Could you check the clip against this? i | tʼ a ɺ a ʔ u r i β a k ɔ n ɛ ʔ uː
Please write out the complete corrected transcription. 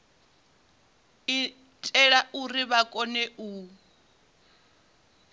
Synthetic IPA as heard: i | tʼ ɛ ɺ a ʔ u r i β a kʼ ɔ n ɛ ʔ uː